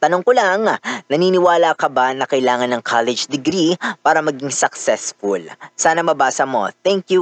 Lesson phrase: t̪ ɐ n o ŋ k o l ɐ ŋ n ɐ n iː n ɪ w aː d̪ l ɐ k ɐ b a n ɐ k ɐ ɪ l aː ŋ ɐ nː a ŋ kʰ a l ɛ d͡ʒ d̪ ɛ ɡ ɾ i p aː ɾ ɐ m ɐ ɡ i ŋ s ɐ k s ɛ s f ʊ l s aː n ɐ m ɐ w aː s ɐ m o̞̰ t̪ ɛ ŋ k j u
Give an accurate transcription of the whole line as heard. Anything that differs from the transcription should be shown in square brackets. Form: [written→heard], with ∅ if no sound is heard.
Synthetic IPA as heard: t̪ ɐ n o ŋ k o l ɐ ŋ n ɐ n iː n ɪ w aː [d̪→∅] l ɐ k ɐ b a n ɐ k ɐ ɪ l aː ŋ ɐ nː [a→ɐ] ŋ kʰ a l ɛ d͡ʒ d̪ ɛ ɡ ɾ i p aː ɾ ɐ m ɐ ɡ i ŋ s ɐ k s ɛ s f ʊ l s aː n ɐ m ɐ [w→b] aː s ɐ m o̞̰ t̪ ɛ ŋ k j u